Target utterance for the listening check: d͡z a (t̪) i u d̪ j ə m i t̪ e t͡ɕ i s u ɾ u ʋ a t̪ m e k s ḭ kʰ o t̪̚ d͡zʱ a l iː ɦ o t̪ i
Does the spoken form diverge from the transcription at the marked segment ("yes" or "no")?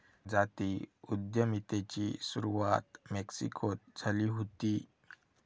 no